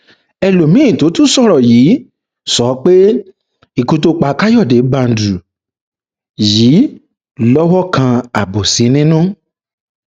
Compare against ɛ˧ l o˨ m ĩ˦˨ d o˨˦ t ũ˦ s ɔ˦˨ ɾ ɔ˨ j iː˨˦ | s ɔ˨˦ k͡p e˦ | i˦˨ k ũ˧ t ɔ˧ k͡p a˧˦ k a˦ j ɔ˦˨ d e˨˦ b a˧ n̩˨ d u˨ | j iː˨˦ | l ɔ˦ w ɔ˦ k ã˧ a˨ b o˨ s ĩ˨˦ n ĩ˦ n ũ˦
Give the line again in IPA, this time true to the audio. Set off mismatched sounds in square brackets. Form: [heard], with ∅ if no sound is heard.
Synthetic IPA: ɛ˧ l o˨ m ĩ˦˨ [t] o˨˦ t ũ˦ s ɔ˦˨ ɾ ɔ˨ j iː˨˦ | s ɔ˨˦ k͡p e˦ | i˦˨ k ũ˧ t [o˧] k͡p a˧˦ k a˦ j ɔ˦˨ d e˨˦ b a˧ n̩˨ d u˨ | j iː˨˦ | l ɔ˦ w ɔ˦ k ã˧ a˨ b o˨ s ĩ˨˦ n ĩ˦ n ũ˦